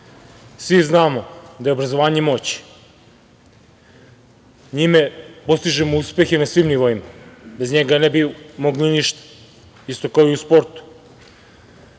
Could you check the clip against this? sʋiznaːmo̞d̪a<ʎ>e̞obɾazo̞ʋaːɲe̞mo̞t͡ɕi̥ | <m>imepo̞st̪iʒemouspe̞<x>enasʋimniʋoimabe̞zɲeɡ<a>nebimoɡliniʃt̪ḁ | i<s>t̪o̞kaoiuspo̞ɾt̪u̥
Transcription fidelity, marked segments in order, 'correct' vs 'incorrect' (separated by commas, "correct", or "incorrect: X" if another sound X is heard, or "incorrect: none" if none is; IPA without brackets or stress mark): incorrect: j, incorrect: ɲ, correct, correct, correct